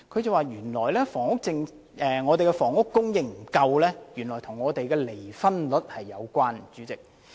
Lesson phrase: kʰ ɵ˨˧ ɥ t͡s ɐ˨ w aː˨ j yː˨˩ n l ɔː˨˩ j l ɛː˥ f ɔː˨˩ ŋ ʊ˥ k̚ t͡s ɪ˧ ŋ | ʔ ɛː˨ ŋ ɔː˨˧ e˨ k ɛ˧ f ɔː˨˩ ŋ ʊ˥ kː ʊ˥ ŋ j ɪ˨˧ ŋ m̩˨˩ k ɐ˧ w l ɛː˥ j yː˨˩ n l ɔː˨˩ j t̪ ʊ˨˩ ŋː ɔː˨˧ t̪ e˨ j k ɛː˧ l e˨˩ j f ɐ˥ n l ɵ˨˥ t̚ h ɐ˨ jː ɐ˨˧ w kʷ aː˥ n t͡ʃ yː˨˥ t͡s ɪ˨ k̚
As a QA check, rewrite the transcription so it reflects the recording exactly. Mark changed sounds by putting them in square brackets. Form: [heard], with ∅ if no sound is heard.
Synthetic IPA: kʰ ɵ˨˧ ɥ t͡s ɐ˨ w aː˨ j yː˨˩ n l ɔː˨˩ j l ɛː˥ f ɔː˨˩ ŋ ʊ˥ k̚ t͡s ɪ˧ ŋ | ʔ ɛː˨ ŋ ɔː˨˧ e˨ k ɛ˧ f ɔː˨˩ ŋ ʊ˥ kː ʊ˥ ŋ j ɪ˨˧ ŋ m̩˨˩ k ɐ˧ w l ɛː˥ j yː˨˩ n l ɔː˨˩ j [t̪ʰ] ʊ˨˩ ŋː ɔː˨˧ t̪ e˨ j k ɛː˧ l e˨˩ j f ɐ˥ n l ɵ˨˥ t̚ h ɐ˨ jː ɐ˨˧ w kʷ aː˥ n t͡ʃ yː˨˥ t͡s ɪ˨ k̚

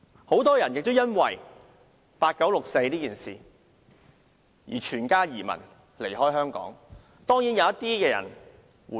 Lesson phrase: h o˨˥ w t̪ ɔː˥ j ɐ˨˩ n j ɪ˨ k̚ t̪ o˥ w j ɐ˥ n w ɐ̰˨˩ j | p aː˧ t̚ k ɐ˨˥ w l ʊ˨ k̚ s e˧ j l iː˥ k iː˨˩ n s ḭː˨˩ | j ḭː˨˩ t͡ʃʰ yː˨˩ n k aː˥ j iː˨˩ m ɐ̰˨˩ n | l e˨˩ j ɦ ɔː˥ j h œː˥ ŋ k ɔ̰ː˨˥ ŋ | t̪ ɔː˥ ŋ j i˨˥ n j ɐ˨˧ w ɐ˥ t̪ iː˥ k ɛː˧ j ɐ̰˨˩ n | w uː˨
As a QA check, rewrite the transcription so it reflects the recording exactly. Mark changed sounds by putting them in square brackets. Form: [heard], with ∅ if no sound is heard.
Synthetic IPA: h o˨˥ w t̪ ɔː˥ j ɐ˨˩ n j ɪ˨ k̚ t̪ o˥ w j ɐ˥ n w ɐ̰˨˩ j | p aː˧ t̚ k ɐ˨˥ w l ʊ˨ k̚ s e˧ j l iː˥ k iː˨˩ n s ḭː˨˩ | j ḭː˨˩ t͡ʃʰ yː˨˩ n k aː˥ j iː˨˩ m ɐ̰˨˩ n | l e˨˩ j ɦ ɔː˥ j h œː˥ ŋ k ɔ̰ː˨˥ ŋ | t̪ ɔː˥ ŋ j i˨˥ n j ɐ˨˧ w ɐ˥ t̪ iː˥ k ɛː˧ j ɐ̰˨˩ n | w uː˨

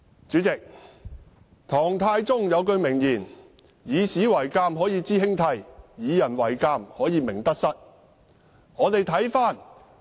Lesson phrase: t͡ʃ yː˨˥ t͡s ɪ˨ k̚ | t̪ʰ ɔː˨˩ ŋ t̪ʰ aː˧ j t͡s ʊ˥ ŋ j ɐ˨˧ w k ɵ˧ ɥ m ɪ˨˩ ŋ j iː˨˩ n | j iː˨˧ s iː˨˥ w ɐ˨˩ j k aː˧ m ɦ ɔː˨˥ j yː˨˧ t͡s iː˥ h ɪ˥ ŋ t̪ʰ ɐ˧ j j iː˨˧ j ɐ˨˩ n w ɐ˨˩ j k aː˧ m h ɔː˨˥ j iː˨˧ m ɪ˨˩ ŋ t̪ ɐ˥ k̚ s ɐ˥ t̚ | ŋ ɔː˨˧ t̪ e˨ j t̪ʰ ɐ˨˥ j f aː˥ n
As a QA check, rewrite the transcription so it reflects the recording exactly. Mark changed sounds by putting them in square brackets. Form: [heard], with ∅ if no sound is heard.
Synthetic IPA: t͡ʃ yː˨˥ t͡s ɪ˨ k̚ | t̪ʰ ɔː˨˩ ŋ t̪ʰ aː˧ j t͡s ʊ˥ ŋ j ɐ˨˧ w k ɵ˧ ɥ m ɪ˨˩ ŋ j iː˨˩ n | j iː˨˧ s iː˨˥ w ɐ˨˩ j k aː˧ m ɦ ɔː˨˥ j [iː˨˧] t͡s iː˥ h ɪ˥ ŋ t̪ʰ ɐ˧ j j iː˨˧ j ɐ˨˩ n w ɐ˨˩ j k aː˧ m h ɔː˨˥ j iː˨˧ m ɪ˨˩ ŋ t̪ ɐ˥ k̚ s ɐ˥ t̚ | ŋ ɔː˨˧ t̪ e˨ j t̪ʰ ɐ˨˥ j f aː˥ n

